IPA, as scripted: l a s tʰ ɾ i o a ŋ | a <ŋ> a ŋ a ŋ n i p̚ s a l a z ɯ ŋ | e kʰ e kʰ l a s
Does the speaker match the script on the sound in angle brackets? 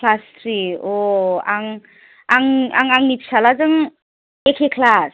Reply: yes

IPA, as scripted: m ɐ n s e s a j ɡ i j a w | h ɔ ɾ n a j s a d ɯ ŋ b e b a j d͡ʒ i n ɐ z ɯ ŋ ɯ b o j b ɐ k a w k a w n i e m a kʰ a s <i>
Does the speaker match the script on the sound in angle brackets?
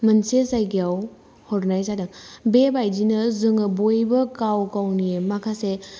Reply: no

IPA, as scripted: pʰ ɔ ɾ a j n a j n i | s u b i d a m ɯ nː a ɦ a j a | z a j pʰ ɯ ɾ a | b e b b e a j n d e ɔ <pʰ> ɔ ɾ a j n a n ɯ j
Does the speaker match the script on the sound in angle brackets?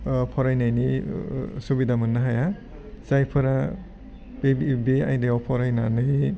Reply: yes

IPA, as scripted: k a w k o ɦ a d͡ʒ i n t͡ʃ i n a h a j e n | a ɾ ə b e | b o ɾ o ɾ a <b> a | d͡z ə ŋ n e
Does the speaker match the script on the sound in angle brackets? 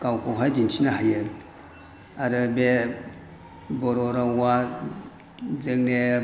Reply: no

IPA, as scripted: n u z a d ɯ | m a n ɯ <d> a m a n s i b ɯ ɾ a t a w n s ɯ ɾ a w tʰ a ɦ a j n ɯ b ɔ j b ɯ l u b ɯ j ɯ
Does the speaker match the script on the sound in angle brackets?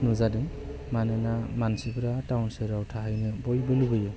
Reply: no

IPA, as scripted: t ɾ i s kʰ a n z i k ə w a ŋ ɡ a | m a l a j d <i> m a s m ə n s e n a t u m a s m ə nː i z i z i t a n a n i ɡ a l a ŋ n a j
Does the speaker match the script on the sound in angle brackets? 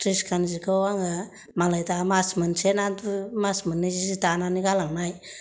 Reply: no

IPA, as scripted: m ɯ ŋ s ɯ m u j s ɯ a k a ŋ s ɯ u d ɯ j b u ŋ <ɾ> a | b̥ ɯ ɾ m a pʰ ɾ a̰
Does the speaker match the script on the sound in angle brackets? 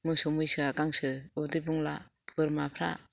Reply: no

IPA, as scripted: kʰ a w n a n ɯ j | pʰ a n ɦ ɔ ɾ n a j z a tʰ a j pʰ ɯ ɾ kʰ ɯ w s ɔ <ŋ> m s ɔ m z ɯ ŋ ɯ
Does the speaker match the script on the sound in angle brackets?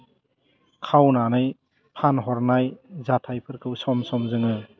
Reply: no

